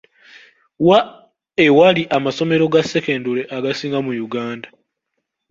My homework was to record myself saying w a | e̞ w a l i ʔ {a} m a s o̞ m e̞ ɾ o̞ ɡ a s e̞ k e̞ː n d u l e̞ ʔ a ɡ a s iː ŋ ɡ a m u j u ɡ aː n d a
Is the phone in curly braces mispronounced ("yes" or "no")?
no